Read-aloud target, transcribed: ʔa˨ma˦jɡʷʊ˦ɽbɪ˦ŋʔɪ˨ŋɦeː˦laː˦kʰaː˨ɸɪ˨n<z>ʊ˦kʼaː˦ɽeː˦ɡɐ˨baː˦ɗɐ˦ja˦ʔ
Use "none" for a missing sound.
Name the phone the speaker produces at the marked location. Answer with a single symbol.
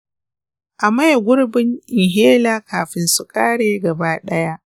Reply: s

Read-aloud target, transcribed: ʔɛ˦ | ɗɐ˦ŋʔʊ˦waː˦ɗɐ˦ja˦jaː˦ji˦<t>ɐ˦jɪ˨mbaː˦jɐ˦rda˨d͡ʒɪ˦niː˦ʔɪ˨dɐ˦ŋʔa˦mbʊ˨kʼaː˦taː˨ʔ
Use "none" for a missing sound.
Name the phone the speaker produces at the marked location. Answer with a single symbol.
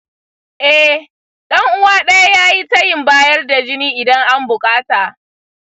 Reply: t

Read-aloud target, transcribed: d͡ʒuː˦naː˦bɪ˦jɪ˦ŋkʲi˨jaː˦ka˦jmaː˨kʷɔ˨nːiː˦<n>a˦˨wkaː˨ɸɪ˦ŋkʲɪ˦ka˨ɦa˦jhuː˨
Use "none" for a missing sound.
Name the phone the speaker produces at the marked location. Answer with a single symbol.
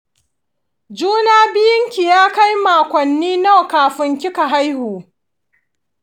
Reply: n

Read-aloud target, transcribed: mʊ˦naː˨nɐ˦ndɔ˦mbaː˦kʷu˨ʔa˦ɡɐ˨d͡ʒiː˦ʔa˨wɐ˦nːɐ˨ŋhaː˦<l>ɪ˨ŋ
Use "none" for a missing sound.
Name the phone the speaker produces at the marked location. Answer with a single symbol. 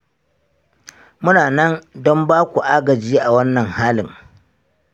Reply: l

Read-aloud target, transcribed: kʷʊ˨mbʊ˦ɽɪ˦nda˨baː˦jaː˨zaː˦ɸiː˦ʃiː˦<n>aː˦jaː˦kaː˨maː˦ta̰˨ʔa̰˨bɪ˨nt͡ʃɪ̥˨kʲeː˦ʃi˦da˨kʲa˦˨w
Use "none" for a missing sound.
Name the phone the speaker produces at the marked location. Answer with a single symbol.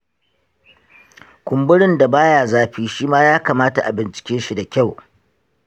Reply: m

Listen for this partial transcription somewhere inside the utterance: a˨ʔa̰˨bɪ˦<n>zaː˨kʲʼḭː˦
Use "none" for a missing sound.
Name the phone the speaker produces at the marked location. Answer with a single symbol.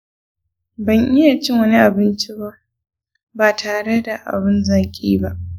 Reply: n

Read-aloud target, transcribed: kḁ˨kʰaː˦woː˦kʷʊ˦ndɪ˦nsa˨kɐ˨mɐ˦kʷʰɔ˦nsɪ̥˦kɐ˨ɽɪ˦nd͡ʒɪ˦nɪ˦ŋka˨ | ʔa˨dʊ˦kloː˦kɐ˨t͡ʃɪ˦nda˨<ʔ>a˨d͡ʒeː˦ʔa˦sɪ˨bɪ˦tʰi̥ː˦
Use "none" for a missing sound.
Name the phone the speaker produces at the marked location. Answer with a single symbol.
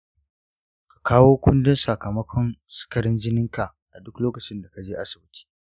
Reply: k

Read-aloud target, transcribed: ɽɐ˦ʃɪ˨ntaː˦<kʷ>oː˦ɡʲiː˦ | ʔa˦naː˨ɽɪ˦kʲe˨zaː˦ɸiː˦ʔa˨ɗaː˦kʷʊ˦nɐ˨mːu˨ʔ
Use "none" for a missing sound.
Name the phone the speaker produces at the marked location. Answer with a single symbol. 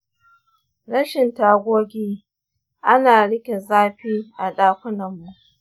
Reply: ɡʷ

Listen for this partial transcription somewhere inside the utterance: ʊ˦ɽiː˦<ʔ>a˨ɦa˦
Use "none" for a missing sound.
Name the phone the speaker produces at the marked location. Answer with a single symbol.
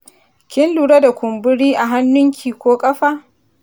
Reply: ʔ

